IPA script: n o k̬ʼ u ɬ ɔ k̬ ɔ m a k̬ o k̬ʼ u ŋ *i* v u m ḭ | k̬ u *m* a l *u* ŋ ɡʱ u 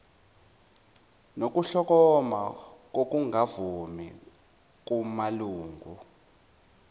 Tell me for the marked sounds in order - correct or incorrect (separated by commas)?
incorrect, correct, incorrect